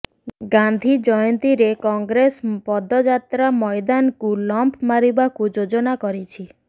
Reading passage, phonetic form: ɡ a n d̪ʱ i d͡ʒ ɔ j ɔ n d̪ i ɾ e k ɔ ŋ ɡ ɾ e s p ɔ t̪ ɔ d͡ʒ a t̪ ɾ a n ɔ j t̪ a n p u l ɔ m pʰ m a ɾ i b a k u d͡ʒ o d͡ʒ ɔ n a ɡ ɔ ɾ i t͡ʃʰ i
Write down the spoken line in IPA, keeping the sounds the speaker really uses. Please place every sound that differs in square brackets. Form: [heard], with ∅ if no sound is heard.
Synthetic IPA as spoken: ɡ a n d̪ʱ i d͡ʒ ɔ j ɔ n [t̪] i ɾ e k ɔ ŋ ɡ ɾ e s p ɔ [d̪] ɔ d͡ʒ a t̪ ɾ a [m] ɔ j [d̪] a n [k] u l ɔ m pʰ m a ɾ i b a k u d͡ʒ o d͡ʒ ɔ n a [k] ɔ ɾ i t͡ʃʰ i